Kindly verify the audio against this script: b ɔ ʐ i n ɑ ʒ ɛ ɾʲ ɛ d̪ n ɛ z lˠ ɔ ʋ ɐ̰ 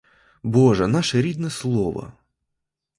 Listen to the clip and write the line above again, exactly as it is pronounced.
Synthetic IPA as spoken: b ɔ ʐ ɛ n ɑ ʃ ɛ ɾʲ i d̪ n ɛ s lˠ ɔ ʋ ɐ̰